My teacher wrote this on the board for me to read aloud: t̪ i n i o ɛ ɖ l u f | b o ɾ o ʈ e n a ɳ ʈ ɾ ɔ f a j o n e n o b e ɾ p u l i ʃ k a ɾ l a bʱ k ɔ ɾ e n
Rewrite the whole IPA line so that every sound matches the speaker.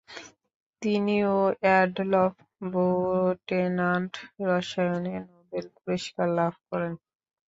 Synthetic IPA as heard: t̪ i n i o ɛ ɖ l ɔ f | b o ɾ o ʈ e n a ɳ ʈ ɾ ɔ ʃ a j o n e n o b e l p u ɾ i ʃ k a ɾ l a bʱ k ɔ ɾ e n